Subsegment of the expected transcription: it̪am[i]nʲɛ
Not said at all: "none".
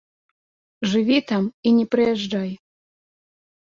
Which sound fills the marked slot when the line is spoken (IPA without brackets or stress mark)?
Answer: i